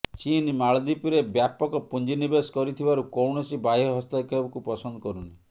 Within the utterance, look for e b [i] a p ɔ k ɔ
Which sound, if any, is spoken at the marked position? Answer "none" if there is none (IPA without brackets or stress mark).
j